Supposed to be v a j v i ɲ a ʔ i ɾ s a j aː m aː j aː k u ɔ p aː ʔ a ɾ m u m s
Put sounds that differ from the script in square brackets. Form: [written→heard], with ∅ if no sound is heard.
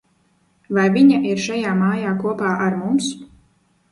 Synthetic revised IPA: v a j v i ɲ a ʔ i ɾ [s→ʃ] a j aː m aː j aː k u ɔ p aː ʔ a ɾ m u m s